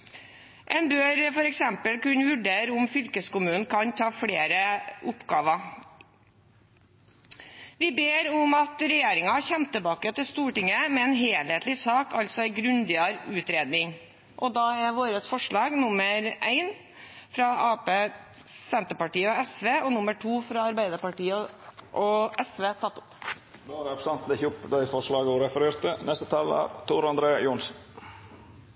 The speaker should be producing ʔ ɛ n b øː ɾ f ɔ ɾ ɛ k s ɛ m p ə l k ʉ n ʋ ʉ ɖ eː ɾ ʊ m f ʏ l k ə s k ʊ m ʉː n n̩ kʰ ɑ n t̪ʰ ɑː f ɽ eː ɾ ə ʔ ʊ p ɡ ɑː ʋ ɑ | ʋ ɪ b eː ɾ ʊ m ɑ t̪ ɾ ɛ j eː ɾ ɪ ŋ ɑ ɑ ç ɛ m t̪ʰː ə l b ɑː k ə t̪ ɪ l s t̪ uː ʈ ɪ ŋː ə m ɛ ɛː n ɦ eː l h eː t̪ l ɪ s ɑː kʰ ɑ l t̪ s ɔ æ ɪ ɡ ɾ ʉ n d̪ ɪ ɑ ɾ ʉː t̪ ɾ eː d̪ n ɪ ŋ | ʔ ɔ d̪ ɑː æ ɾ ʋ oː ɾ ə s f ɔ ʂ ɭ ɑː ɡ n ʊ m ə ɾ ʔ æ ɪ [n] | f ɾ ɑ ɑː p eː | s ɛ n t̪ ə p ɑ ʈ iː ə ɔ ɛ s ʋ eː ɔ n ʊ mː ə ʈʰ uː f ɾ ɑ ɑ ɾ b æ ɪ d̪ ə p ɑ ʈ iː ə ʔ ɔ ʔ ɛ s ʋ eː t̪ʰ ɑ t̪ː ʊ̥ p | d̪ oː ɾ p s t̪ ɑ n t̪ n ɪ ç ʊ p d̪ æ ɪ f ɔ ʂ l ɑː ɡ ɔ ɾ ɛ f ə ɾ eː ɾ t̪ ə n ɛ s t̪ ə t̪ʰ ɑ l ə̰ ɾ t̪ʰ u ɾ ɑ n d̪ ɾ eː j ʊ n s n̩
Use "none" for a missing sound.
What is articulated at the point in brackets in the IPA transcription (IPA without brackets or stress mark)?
n